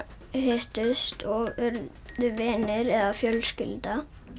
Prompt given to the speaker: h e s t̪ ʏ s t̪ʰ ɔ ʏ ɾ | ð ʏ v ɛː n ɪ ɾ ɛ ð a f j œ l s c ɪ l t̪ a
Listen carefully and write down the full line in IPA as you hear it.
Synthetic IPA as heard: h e h t̪ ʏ s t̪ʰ ɔ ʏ ɾ | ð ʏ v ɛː n ɪ ɾ ɛ ð a f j œ l s c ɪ l t̪ a